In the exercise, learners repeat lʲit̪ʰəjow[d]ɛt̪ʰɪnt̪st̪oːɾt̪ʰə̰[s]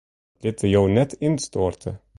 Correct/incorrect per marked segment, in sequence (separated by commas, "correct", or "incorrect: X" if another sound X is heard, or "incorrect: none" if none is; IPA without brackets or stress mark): incorrect: n, incorrect: none